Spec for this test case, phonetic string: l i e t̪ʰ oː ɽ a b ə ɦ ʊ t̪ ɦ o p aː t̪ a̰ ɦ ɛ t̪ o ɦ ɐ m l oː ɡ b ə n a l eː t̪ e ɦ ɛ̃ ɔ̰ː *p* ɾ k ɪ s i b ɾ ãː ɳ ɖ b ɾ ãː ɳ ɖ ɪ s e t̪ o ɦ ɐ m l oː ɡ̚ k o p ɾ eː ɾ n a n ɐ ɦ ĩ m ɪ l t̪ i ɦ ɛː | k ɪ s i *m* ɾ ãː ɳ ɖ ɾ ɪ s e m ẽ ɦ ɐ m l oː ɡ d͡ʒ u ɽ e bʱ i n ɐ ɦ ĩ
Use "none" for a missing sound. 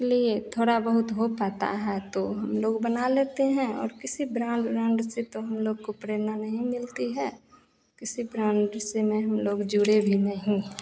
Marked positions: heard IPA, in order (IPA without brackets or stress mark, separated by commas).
none, b